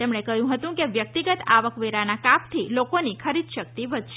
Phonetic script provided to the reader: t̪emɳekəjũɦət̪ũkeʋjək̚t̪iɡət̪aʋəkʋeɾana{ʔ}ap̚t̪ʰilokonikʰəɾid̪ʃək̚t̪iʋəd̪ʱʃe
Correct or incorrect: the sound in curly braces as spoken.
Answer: incorrect: k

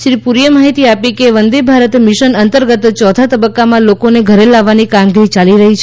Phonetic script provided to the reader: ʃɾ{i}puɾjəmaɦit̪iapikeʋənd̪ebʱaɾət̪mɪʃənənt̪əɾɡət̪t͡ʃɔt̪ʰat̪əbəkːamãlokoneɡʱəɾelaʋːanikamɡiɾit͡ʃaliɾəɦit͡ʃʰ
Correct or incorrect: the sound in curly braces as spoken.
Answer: correct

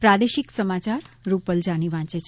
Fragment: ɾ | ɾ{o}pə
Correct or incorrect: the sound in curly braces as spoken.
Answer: incorrect: u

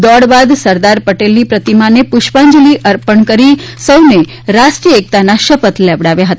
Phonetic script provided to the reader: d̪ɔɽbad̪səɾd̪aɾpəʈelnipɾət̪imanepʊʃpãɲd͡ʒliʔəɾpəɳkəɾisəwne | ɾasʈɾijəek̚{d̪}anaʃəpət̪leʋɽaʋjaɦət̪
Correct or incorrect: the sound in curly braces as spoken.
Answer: incorrect: t̪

